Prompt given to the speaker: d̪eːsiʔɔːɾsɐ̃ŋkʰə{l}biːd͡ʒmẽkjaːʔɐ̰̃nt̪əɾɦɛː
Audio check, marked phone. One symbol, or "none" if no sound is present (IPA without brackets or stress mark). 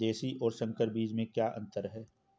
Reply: ɾ